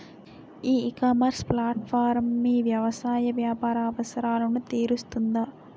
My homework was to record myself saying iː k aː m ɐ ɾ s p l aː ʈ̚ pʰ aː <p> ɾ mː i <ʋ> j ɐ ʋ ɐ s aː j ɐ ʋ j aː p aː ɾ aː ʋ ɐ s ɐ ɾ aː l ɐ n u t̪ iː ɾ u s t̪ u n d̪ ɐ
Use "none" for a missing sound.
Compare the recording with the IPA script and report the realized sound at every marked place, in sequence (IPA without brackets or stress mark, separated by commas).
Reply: none, ʋ